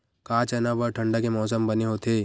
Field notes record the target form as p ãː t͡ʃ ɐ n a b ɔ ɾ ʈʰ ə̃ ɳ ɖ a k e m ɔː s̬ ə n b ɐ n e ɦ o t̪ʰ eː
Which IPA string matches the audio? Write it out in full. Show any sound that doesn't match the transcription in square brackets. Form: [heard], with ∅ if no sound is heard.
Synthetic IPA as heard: [k] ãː t͡ʃ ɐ n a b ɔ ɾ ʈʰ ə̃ ɳ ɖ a k e m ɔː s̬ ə [m] b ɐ n e ɦ o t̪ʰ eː